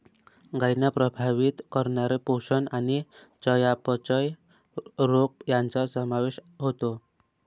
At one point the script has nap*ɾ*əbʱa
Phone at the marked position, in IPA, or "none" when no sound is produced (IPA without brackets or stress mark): ɾ